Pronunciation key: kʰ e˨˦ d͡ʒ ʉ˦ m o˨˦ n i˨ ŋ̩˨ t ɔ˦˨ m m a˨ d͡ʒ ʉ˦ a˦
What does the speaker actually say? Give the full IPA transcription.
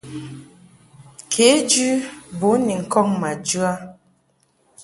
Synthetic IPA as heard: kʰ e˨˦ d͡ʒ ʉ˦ b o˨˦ n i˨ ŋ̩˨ k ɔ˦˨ ŋ m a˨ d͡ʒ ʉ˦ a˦

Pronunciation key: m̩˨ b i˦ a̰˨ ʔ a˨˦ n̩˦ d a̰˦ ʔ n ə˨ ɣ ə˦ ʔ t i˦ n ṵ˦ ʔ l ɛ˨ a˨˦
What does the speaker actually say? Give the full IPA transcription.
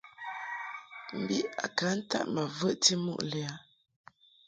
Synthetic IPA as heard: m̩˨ b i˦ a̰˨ k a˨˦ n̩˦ t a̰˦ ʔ m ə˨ v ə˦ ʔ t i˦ m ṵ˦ ʔ l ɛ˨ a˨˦

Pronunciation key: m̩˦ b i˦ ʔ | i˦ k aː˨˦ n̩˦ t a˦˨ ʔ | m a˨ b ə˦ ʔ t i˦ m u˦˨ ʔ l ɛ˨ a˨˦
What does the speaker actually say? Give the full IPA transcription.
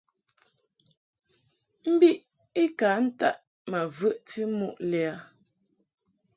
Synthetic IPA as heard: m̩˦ b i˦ ʔ | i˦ k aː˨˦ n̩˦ t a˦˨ ʔ | m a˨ v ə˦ ʔ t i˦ m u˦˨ ʔ l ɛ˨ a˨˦

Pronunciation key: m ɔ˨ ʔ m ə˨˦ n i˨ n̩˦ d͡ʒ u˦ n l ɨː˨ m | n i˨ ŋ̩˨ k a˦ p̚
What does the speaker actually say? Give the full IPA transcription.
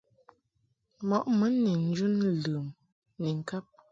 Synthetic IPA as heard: m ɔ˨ ʔ m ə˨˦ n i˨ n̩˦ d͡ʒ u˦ n l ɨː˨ m | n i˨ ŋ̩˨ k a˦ p̚

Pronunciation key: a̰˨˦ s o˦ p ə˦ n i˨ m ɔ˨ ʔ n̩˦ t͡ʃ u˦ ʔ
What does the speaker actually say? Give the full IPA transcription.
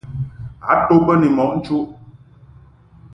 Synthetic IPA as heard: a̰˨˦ t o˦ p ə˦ n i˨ m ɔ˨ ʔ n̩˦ t͡ʃ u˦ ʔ

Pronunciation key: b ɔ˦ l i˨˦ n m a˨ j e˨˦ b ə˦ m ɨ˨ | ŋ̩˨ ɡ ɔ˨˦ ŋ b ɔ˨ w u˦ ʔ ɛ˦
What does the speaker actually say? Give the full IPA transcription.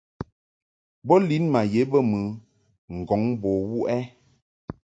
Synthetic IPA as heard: b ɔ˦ l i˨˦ n m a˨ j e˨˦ b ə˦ m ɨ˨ | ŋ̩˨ ɡ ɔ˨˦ ŋ b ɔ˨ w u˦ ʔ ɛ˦

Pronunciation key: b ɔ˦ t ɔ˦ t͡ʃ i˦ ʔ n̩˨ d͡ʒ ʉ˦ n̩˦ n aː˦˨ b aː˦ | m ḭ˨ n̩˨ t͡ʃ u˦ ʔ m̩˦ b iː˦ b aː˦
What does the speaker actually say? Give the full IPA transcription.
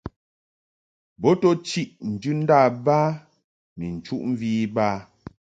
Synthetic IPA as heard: b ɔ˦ t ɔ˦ t͡ʃ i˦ ʔ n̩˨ d͡ʒ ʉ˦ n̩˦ d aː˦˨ b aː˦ | m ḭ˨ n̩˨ t͡ʃ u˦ ʔ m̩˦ v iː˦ b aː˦

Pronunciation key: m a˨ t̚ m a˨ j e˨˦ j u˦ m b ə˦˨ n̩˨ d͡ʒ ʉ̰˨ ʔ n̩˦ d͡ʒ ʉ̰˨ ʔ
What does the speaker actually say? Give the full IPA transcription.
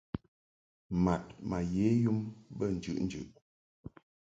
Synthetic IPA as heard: m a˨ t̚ m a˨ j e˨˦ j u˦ m b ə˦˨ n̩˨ d͡ʒ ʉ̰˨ ʔ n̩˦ d͡ʒ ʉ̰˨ ʔ

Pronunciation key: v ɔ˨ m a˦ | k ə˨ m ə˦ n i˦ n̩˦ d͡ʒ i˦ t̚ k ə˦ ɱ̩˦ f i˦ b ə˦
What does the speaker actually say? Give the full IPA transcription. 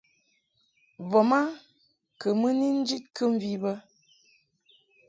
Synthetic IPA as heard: v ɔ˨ m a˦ | k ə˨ m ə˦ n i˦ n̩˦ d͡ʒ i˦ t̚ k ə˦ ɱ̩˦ v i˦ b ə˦

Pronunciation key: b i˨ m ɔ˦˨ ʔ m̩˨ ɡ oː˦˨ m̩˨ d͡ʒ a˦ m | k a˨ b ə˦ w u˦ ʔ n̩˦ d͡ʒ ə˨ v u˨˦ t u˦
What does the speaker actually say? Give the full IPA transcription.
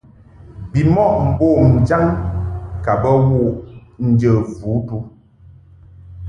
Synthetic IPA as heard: b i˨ m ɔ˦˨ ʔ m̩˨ b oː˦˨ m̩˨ d͡ʒ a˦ ŋ | k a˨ b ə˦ w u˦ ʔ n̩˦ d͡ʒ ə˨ v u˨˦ t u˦

